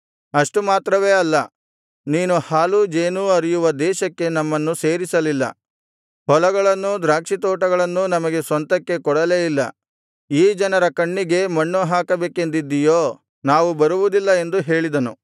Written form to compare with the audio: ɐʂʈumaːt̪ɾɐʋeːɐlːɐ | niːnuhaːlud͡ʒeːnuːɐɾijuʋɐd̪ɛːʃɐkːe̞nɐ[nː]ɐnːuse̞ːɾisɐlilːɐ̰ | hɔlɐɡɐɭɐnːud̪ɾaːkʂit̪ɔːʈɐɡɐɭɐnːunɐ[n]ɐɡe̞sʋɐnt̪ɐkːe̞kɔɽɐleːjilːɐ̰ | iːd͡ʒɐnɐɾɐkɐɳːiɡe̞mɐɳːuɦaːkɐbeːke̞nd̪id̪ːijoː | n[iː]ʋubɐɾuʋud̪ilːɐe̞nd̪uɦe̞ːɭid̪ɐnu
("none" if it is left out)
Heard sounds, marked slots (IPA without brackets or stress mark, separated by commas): mː, m, aː